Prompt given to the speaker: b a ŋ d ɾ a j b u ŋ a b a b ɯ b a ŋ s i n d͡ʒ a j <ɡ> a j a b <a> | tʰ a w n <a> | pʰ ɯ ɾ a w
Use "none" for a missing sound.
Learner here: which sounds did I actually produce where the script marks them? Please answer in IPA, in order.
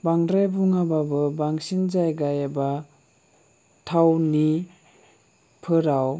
ɡ, a, i

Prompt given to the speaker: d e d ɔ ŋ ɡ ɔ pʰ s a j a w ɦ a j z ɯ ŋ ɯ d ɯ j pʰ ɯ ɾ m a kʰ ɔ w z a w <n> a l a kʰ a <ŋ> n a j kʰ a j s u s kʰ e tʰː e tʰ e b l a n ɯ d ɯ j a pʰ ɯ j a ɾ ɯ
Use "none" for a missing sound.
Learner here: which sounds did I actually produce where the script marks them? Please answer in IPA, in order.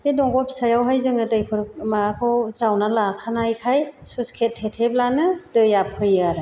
n, none

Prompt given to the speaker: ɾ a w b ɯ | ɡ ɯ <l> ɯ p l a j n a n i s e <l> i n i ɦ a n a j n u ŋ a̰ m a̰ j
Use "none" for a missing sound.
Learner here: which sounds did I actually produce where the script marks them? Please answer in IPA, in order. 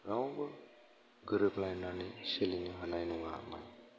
ɾ, l

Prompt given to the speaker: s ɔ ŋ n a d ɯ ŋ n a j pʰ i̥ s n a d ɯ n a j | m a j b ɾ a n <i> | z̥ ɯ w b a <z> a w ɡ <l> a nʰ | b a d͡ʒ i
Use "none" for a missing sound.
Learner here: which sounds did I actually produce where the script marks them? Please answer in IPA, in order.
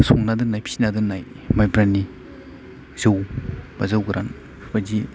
i, z, ɾ

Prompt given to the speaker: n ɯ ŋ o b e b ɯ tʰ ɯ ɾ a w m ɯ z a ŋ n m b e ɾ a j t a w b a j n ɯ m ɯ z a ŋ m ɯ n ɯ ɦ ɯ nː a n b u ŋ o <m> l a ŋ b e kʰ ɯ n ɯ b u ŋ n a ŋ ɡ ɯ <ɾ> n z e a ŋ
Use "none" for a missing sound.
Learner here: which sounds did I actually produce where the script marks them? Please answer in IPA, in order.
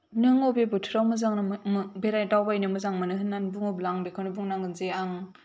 b, none

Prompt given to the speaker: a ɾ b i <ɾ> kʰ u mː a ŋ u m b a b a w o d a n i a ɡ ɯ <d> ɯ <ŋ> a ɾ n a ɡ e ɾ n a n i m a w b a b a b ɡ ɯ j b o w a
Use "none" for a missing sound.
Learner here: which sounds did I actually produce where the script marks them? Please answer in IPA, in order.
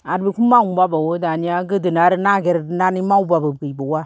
none, d, n

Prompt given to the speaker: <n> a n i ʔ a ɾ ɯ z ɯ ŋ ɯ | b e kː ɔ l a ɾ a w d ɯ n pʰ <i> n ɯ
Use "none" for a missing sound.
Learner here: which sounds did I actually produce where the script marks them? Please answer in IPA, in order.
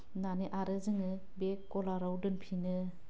n, i

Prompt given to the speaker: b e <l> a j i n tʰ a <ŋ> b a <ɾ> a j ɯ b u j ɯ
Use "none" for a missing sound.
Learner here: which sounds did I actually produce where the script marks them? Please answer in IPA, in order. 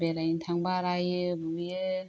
ɾ, ŋ, ɾ

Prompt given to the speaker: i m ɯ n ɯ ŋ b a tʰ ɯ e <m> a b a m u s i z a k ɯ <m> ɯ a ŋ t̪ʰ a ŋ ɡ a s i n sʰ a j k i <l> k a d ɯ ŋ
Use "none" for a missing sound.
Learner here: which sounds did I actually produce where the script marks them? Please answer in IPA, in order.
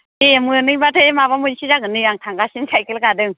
m, n, l

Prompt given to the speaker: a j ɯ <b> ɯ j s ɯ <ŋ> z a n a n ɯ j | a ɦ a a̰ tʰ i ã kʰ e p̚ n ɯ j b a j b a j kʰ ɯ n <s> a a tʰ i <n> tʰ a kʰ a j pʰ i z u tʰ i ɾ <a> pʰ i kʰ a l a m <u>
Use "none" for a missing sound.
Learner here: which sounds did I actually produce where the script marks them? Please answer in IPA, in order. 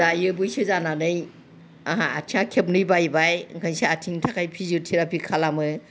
b, none, s, ŋ, a, ɯ

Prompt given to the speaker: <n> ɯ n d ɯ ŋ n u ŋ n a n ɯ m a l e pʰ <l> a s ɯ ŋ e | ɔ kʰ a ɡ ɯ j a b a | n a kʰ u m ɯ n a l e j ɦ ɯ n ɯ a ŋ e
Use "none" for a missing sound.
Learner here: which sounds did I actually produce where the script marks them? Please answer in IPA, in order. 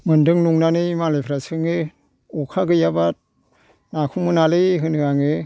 m, ɾ

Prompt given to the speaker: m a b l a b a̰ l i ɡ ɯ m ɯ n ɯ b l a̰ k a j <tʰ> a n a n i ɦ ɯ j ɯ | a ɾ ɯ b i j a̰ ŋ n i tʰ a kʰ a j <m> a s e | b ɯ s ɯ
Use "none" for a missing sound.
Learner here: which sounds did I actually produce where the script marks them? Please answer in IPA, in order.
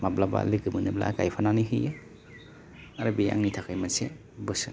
pʰ, m

